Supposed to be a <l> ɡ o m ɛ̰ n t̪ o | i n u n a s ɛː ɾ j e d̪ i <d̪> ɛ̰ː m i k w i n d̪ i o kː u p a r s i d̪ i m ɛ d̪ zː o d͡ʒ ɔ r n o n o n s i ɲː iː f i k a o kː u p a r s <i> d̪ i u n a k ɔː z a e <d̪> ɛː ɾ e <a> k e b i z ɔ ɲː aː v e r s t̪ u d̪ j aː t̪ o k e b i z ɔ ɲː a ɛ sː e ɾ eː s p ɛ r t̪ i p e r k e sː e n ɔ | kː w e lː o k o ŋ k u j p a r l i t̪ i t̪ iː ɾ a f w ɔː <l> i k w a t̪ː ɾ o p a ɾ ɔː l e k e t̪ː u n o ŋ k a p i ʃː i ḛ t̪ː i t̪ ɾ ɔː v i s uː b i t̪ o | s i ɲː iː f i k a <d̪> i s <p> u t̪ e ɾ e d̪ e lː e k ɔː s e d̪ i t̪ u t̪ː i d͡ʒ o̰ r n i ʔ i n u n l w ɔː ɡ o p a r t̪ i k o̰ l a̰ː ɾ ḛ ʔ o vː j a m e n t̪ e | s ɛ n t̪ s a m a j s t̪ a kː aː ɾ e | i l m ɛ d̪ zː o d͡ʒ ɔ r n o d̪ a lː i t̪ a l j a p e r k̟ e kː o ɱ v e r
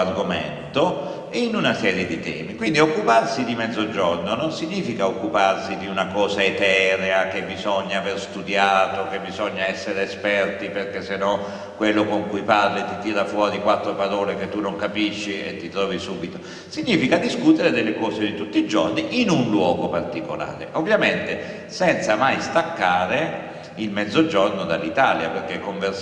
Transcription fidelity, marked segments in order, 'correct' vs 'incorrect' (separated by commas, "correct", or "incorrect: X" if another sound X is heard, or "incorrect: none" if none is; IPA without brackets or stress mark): incorrect: r, incorrect: t̪, correct, incorrect: t̪, correct, incorrect: ɾ, correct, incorrect: k